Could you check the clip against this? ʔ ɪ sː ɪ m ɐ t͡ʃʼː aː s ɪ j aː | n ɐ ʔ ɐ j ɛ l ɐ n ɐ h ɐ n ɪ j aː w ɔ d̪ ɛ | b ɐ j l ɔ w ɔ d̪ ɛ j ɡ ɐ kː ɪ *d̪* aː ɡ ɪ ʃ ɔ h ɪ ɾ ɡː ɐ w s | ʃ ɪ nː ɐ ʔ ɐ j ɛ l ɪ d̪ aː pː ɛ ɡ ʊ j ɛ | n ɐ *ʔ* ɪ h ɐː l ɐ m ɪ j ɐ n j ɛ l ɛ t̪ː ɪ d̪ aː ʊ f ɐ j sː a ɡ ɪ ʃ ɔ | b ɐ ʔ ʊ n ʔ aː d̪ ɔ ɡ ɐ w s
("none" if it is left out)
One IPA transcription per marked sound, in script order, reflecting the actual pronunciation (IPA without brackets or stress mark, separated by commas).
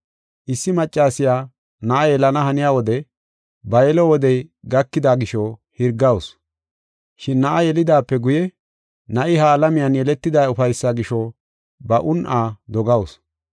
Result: d̪, ʔ